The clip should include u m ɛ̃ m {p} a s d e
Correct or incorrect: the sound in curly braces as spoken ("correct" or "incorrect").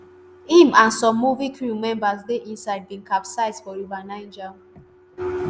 incorrect